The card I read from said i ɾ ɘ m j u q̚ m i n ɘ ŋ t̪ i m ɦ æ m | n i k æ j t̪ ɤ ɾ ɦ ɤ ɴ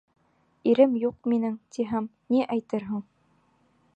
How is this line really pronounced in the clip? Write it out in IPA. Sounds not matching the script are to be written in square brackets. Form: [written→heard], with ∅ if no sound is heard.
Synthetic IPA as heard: i ɾ ɘ m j u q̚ m i n ɘ ŋ t̪ i [m→∅] ɦ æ m | n i [k→ʔ] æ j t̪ ɤ ɾ ɦ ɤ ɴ